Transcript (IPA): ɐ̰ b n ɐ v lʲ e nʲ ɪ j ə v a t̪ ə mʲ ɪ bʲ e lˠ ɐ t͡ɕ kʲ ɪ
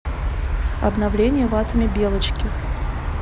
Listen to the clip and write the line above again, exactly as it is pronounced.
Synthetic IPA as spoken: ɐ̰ b n ɐ v lʲ e nʲ ɪ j ə v a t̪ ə mʲ ɪ bʲ e lˠ ə t͡ɕ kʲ ɪ